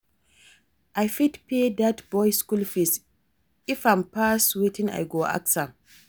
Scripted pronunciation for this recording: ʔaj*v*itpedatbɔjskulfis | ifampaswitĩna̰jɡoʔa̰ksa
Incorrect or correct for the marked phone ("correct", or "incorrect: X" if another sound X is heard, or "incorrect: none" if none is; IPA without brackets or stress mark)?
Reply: incorrect: f